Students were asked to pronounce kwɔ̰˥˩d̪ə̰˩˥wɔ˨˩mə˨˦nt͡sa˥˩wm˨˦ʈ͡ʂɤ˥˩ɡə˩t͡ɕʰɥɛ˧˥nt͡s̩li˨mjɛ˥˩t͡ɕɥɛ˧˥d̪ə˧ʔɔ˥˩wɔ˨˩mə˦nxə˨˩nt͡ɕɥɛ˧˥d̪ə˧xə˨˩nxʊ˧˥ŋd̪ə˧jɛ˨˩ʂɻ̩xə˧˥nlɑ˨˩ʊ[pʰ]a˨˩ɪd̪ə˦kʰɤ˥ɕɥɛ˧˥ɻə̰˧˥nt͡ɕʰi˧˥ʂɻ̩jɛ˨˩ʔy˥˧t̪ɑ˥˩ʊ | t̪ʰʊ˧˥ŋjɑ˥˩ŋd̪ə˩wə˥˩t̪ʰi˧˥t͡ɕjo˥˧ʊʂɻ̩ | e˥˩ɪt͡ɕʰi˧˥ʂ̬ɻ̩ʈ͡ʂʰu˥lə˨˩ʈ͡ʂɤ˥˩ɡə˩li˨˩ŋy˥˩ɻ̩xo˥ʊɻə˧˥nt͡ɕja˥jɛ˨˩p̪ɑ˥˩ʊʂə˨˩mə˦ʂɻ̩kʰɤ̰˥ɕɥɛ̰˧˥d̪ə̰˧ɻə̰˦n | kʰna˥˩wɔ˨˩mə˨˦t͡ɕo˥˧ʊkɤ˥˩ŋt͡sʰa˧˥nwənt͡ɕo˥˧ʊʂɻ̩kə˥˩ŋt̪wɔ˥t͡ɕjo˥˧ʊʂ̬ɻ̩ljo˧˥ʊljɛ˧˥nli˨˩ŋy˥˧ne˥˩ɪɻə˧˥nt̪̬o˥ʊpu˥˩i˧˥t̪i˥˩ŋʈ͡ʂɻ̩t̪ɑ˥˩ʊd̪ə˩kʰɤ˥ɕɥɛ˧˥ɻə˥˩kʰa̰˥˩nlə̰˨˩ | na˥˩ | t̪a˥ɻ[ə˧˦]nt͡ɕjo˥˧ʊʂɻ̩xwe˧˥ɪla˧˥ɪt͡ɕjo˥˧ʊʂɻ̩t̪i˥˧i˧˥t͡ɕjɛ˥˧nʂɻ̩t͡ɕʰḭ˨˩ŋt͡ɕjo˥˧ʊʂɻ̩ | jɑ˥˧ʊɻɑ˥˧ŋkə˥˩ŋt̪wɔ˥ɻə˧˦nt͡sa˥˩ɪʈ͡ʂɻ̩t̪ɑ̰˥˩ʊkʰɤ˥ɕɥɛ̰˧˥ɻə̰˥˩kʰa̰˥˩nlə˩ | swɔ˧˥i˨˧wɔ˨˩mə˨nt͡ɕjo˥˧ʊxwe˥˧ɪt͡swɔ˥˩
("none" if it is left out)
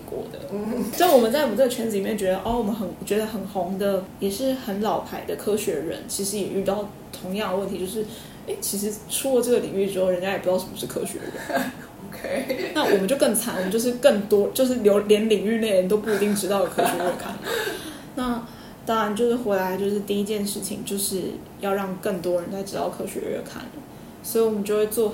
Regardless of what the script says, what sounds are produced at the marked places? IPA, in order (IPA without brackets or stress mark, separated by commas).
pʰ, a˧˦